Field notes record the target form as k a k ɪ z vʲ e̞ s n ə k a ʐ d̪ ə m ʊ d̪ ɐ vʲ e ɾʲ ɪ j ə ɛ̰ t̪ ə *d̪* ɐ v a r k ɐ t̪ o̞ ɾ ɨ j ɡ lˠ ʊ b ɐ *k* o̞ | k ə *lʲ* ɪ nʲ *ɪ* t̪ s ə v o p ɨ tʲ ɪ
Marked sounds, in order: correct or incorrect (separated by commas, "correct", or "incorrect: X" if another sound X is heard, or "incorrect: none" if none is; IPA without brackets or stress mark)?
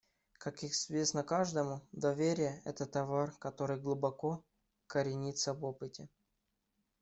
incorrect: t̪, correct, incorrect: ɾʲ, incorrect: i